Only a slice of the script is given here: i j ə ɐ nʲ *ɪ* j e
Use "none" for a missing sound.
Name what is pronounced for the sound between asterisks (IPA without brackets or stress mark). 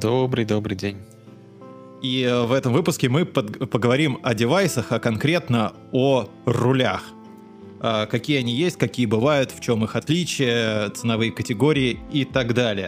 i